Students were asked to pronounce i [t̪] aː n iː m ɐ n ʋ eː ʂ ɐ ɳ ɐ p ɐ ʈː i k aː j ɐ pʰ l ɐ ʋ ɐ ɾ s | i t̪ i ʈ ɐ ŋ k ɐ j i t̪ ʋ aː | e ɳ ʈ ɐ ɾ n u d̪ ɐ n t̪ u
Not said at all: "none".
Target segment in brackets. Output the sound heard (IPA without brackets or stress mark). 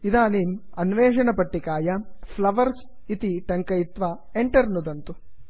d̪